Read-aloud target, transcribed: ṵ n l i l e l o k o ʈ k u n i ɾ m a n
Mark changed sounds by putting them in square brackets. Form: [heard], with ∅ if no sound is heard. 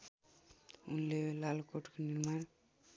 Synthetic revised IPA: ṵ n l [e] l [a] l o k o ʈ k [o] n i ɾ m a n

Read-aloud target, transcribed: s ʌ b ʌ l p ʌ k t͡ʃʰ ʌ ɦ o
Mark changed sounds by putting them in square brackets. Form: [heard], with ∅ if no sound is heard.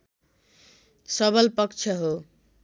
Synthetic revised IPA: s ʌ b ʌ l p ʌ k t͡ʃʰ ʌ ɦ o

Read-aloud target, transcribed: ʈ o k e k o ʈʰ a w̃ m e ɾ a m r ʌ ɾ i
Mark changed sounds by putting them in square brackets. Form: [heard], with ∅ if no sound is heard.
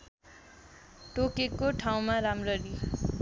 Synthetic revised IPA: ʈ o k e k o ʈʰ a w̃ m [a] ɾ a m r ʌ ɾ i

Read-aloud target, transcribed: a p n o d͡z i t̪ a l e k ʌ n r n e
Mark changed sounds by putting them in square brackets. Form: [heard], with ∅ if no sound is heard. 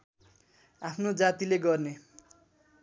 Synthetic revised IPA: a [pʰ] n o d͡z [a] t̪ [i] l e [ɡ] ʌ [∅] r n e

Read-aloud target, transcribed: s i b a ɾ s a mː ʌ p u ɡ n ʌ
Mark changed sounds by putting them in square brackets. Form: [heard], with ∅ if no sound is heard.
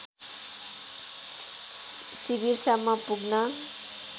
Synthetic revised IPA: s i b [i] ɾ s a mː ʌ p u ɡ n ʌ

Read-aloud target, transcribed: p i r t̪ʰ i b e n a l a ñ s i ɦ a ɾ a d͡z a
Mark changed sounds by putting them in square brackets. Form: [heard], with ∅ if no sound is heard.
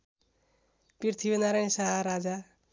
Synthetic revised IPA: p i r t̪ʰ i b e n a [ɾ] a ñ s [a] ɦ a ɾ a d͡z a

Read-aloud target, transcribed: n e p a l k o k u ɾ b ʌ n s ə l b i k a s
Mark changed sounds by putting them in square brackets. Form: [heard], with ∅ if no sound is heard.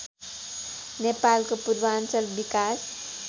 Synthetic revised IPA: n e p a l k o [p] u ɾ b [a] n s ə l b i k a s

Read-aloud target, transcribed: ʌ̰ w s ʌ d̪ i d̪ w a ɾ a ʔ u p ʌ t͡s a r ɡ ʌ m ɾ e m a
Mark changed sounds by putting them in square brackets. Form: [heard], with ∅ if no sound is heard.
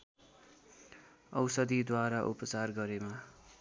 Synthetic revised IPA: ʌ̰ w s ʌ d̪ i d̪ w a ɾ a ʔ u p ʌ t͡s a r ɡ ʌ [∅] ɾ e m a

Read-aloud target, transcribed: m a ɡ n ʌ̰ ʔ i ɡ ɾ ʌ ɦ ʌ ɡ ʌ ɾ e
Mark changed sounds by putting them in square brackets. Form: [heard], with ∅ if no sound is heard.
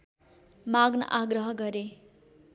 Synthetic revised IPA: m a ɡ n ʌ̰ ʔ [a] ɡ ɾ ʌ ɦ ʌ ɡ ʌ ɾ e

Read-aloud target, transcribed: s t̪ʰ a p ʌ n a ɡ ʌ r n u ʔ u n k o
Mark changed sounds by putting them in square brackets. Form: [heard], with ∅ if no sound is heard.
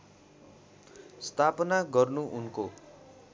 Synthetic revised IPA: s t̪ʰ a p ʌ n a ɡ ʌ r n u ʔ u n k o

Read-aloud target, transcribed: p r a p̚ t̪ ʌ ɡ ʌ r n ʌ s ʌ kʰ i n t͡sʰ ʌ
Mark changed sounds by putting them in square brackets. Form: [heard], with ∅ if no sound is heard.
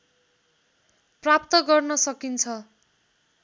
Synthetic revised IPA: p r a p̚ t̪ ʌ ɡ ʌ r n ʌ s ʌ [k] i n t͡sʰ ʌ

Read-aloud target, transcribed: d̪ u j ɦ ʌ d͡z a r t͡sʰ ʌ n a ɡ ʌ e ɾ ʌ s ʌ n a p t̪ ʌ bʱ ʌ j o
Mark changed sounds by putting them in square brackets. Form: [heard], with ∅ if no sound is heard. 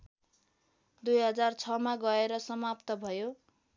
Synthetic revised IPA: d̪ u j ɦ ʌ d͡z a r t͡sʰ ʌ [m] a ɡ ʌ e ɾ ʌ s ʌ [m] a p t̪ ʌ bʱ ʌ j o

